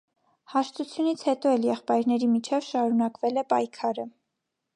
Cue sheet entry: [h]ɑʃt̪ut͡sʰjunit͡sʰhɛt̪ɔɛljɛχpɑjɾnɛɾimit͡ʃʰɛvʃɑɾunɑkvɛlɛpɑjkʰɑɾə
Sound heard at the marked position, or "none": h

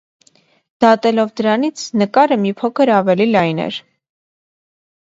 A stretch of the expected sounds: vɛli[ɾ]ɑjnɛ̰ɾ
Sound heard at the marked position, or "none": l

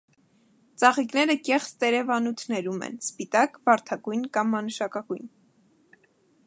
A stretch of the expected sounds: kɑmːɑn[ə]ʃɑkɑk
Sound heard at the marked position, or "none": ə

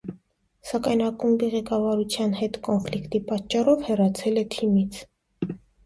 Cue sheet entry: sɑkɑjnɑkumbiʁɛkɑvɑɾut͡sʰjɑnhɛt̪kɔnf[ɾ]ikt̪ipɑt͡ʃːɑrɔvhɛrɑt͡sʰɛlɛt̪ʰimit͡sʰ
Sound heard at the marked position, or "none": l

